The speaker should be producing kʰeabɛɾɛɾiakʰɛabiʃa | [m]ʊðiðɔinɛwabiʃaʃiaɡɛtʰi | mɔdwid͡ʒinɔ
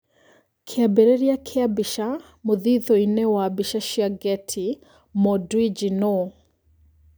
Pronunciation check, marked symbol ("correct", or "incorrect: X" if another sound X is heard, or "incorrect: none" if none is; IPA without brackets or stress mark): correct